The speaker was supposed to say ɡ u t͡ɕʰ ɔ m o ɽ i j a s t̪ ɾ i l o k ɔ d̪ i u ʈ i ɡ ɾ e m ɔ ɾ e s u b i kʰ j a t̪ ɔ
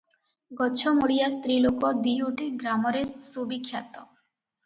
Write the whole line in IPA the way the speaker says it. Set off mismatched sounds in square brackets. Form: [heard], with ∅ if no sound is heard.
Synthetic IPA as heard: ɡ [ɔ] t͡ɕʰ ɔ m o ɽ i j a s t̪ ɾ i l o k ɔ d̪ i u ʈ i ɡ ɾ [a] m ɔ ɾ e s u b i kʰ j a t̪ ɔ